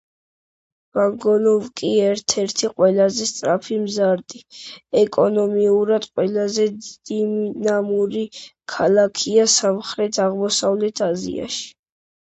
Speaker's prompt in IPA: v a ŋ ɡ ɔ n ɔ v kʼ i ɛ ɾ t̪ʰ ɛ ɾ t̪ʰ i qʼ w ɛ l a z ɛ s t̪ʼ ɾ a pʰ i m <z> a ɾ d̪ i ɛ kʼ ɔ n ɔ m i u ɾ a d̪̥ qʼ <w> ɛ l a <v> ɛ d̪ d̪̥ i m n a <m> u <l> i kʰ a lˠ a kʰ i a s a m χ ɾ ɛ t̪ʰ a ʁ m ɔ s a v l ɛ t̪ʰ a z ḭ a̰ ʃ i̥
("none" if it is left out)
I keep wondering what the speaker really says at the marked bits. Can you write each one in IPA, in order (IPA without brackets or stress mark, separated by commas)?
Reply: z, w, z, m, ɾ